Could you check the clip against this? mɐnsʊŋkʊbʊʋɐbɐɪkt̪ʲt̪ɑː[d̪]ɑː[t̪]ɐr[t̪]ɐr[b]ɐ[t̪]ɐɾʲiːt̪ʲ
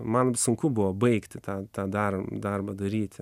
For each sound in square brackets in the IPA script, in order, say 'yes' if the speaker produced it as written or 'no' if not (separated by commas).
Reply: no, no, no, yes, no